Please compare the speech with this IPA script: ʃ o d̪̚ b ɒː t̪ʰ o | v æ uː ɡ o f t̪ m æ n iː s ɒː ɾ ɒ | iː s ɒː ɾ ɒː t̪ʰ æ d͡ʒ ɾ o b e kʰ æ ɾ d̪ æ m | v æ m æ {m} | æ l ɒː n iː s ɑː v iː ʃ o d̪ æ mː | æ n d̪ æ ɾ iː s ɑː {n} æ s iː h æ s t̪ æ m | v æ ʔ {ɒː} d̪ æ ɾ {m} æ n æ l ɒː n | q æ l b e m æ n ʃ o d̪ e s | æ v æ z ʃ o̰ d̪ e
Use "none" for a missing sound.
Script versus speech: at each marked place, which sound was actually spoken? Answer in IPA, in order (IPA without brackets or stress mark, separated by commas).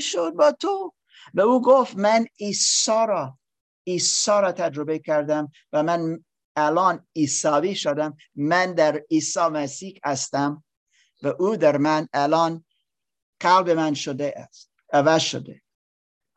n, m, uː, m